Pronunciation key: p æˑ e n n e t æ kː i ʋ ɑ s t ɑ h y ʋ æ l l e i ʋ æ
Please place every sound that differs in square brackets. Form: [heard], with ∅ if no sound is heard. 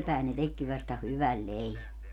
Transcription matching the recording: p æˑ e n n e t [e] kː i ʋ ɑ s t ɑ h y ʋ æ l l e i ʋ æ